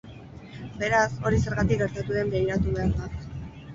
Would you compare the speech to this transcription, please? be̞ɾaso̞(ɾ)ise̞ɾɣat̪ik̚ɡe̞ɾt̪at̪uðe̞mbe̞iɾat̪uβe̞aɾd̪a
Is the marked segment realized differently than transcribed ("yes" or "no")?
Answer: no